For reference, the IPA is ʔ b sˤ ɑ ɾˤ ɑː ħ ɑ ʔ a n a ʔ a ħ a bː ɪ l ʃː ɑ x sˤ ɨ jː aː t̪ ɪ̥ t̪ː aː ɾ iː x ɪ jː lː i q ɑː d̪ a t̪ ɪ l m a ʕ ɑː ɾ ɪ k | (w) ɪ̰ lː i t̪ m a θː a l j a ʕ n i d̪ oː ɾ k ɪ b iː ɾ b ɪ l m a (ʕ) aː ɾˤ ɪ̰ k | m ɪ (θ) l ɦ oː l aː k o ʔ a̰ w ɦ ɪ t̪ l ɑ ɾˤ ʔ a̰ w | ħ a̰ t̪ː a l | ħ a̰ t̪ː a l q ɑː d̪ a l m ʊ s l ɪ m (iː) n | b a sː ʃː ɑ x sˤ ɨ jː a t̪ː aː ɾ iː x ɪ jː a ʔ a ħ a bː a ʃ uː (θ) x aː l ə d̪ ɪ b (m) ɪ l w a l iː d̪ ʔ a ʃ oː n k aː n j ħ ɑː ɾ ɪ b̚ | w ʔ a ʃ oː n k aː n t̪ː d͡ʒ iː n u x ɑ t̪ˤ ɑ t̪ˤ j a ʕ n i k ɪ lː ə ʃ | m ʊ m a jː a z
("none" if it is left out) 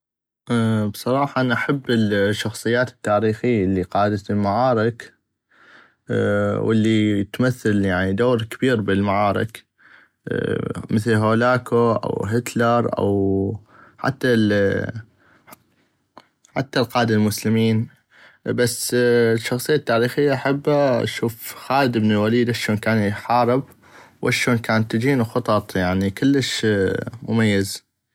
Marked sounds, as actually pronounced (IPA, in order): w, ʕ, θ, iː, f, n

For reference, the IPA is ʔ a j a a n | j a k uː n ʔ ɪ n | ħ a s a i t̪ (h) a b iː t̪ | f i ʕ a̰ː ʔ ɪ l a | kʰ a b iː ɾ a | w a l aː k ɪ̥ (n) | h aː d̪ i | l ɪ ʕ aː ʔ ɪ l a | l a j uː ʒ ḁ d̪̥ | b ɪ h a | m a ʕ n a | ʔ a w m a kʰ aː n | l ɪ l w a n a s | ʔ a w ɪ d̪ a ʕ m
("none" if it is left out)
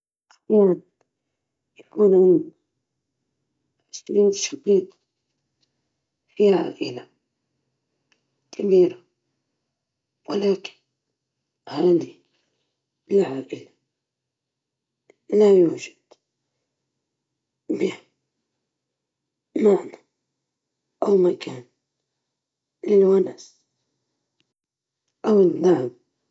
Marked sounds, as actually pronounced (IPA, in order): ʃ, n

